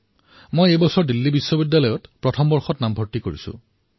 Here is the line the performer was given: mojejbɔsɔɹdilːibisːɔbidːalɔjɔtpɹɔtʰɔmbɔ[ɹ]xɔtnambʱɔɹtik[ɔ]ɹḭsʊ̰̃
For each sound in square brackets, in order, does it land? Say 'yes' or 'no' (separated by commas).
yes, no